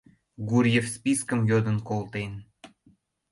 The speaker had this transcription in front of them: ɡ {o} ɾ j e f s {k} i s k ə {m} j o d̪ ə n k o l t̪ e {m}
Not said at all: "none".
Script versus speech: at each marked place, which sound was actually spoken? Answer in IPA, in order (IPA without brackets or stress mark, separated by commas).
u, p, m, n